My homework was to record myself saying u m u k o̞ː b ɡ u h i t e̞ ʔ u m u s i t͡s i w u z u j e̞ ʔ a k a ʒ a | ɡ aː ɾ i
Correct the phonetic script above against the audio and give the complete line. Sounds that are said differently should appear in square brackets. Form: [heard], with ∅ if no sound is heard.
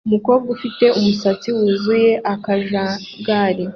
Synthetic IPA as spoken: u m u k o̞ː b ɡ u [f] i t e̞ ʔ u m u s [a] t͡s i w u z u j e̞ ʔ a k a ʒ a | ɡ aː ɾ i